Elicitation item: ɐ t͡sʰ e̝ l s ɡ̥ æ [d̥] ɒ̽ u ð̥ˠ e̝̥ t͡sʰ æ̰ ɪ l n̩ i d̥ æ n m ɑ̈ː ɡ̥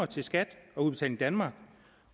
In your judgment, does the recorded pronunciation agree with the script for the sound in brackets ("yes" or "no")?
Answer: yes